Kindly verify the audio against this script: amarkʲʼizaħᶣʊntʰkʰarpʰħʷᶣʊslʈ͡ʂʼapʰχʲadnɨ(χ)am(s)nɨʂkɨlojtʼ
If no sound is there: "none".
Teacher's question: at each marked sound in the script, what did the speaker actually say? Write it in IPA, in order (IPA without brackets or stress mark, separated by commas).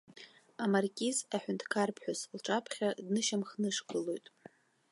ʃ, χ